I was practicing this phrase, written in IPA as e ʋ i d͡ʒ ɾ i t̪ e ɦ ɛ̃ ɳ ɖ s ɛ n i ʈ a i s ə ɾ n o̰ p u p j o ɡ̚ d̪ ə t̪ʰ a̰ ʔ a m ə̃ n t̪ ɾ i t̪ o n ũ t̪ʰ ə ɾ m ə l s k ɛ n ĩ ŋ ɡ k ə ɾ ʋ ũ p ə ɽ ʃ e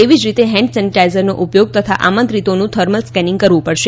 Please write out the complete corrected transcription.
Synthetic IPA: e ʋ i d͡ʒ ɾ i t̪ e ɦ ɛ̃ ɳ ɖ s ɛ n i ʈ a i z ə ɾ n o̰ ʔ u p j o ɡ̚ t̪ ə t̪ʰ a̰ ʔ a m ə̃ n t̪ ɾ i t̪ o n ũ t̪ʰ ə ɾ m ə l s k ɛ n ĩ ŋ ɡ k ə ɾ ʋ ũ p ə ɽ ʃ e

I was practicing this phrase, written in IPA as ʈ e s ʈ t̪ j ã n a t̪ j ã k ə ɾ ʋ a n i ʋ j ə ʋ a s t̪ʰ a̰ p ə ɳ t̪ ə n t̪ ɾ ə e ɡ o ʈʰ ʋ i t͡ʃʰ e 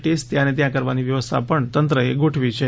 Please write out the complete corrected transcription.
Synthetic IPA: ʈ e s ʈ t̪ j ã n e t̪ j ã k ə ɾ ʋ a n i ʋ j ə ʋ ə s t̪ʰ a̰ p ə ɳ t̪ ə n t̪ ɾ ə e ɡ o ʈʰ ʋ i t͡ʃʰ e

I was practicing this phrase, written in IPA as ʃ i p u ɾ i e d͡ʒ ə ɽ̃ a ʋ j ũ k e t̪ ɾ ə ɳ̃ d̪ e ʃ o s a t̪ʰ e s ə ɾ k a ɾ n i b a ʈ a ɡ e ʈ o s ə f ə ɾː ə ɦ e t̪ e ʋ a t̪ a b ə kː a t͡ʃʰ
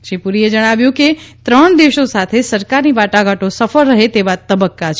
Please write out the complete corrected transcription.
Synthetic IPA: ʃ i p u ɾ i e d͡ʒ ə ɽ̃ a ʋ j ũ k e t̪ ɾ ə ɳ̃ d̪ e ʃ o s a t̪ʰ e s ə ɾ k a ɾ n i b a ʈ a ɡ a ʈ o s ə f ə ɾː ə ɦ e t̪ e ʋ a t̪ ə b ə kː a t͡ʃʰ

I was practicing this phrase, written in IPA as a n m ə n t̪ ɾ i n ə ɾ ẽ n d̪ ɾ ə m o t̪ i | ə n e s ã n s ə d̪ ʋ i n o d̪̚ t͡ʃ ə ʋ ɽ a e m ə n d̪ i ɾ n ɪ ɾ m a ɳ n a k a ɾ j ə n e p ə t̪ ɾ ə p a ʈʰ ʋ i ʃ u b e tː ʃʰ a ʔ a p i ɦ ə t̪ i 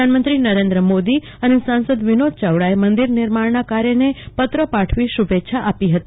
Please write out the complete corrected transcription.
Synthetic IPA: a n m ə n t̪ ɾ i n ə ɾ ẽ n d̪ ɾ ə m o d̪ i | ə n e s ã n s ə d̪ ʋ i n o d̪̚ t͡ʃ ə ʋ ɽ a e m ə n d̪ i ɾ n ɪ ɾ m a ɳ n a k a ɾ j ə n e p ə t̪ ɾ ə p a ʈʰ ʋ i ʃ u b e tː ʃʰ a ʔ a p i ɦ ə t̪ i

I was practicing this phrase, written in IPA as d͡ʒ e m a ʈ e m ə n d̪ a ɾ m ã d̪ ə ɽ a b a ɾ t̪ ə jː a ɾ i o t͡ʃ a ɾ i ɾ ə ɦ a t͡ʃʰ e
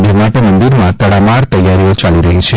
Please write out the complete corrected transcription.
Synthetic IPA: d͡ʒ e m a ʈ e m ə n d̪ i ɾ m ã t̪ ə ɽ a m a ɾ t̪ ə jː a ɾ i o t͡ʃ a l i ɾ ə ɦ i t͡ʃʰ e

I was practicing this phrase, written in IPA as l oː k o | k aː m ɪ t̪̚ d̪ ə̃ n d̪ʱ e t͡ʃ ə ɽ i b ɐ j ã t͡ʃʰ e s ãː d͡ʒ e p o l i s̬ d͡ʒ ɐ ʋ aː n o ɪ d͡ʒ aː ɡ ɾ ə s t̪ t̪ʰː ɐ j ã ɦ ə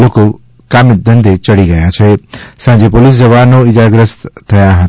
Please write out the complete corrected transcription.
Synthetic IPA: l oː k o | k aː m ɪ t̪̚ d̪ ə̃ n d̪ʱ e t͡ʃ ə ɽ i ɡ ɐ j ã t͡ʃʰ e s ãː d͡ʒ e p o l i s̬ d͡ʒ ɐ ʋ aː n o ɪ d͡ʒ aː ɡ ɾ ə s t̪ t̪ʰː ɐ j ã ɦ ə

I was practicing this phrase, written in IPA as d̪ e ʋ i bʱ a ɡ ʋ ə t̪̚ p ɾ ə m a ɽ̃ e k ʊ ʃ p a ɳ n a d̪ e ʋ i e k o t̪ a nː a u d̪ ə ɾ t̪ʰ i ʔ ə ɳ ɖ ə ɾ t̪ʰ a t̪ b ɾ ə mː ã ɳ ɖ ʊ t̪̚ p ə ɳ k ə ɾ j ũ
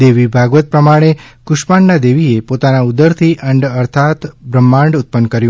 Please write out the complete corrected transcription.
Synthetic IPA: d̪ e ʋ i bʱ a ɡ ʋ ə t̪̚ p ɾ ə m a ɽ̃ e k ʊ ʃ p a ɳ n a d̪ e ʋ i e p o t̪ a n a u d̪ ə ɾ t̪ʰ i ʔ ə ɳ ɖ ə ɾ t̪ʰ a t̪ b ɾ ə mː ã ɳ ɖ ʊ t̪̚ p ə n k ə ɾ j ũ

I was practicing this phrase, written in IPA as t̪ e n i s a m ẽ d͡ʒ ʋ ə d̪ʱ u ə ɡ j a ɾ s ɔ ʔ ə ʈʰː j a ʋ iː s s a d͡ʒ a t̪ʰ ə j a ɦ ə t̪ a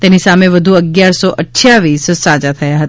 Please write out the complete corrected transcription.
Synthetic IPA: t̪ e n i s a m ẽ ʋ ə d̪ʱ u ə ɡ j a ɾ s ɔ ʔ ə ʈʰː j a ʋ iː s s a d͡ʒ a t̪ʰ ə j a ɦ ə t̪ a

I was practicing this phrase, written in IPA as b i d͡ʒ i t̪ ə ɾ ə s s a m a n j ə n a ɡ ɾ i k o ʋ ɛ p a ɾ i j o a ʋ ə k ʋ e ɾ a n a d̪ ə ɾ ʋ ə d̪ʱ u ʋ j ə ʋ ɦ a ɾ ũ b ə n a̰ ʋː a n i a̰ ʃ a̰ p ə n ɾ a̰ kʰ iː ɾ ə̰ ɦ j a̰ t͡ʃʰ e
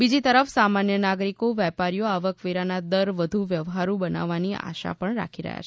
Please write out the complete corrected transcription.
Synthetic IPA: b i d͡ʒ i t̪ ə ɾ ə f s a m a n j ə n a ɡ ɾ i k o ʋ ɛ p a ɾ i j o a ʋ ə k ʋ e ɾ a n a d̪ ə ɾ ʋ ə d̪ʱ u ʋ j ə ʋ ɦ a ɾ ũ b ə n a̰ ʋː a n i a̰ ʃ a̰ p ə ɳ ɾ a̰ kʰ i ɾ ə̰ ɦ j a̰ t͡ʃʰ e

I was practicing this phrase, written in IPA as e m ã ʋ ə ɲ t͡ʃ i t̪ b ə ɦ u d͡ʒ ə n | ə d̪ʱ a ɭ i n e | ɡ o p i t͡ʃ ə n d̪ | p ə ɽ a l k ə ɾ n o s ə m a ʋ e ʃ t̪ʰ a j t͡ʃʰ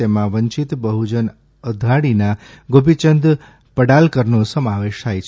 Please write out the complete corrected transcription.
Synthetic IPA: e m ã ʋ ə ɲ t͡ʃ i t̪ b ə ɦ u d͡ʒ ə n | ə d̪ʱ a ɽ i n a | ɡ o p i t͡ʃ ə n d̪ | p ə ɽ a l k ə ɾ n o s ə m a ʋ e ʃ t̪ʰ a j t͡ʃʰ

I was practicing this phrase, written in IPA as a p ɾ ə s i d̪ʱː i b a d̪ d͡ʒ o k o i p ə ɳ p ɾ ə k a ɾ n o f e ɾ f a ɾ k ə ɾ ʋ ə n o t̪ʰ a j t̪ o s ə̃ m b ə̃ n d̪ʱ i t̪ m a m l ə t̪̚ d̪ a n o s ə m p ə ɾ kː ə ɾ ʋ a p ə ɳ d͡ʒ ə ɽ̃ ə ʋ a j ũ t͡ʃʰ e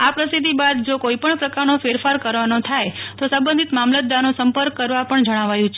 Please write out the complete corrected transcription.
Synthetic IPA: a p ɾ ə s i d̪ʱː i b a d̪ d͡ʒ o k o i p ə ɳ p ɾ ə k a ɾ n o f e ɾ f a ɾ k ə ɾ ʋ a n o t̪ʰ a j t̪ o s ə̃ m b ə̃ n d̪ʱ i t̪ m a m l ə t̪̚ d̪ a n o s ə m p ə ɾ kː ə ɾ ʋ a p ə ɳ d͡ʒ ə ɽ̃ a ʋ a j ũ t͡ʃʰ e

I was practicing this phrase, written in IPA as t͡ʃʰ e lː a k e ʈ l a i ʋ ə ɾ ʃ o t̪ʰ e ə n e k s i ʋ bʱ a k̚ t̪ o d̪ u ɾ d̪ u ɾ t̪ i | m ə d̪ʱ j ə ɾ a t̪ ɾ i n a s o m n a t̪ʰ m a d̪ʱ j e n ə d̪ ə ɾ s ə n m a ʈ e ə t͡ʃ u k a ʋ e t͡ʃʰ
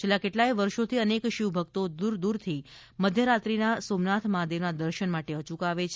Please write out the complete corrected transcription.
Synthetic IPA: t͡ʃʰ e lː a k e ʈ l a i ʋ ə ɾ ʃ o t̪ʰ i ə n e k ʃ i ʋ bʱ ə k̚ t̪ o d̪ u ɾ d̪ u ɾ t̪ʰ i | m ə d̪ʱ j ə ɾ a t̪ ɾ i n a s o m n a t̪ʰ m a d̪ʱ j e n a d̪ ə ɾ ʃ ə n m a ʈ e ə t͡ʃ u k a ʋ e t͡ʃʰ

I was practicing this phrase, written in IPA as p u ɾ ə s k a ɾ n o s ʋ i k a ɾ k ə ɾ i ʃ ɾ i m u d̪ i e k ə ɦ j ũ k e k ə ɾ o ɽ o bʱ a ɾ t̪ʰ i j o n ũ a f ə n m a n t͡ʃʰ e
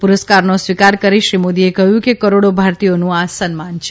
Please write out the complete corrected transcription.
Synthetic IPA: p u ɾ ə s k a ɾ n o s ʋ i k a ɾ k ə ɾ i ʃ ɾ i m o d̪ i e k ə ɦ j ũ k e k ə ɾ o ɽ o bʱ a ɾ t̪ i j o n ũ a s ə n m a n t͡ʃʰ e

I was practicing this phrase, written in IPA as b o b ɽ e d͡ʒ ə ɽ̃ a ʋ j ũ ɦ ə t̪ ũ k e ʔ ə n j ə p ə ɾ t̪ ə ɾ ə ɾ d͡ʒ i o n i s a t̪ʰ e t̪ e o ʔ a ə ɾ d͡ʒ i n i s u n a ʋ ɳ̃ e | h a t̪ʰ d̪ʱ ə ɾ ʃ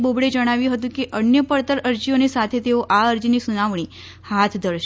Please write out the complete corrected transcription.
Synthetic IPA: b o b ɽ e d͡ʒ ə ɽ̃ a ʋ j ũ ɦ ə t̪ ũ k e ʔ ə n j ə p ə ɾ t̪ ə ɾ ə ɾ d͡ʒ i o n i s a t̪ʰ e t̪ e o ʔ a ə ɾ d͡ʒ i n i s u n a ʋ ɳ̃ i | h a t̪ʰ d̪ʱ ə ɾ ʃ

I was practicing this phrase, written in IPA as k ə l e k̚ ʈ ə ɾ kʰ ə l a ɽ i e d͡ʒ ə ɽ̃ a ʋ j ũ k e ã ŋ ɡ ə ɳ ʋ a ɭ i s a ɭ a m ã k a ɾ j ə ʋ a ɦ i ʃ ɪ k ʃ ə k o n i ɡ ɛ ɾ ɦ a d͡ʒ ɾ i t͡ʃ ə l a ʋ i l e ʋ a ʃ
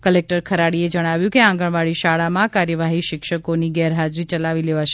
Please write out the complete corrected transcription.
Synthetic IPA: k ə l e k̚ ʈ ə ɾ kʰ ə ɾ a ɽ i e d͡ʒ ə ɽ̃ a ʋ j ũ k e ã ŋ ɡ ə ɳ ʋ a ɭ i ʃ a ɭ a m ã k a ɾ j ə ʋ a ɦ i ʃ ɪ k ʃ ə k o n i ɡ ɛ ɾ ɦ a d͡ʒ ɾ i t͡ʃ ə l a ʋ i l e ʋ a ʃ

